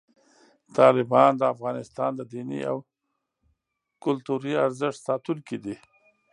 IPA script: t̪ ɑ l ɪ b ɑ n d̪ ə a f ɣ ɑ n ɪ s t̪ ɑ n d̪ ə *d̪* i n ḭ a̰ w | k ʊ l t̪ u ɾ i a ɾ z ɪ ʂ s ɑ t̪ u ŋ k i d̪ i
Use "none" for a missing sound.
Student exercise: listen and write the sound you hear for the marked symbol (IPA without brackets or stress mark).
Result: d̪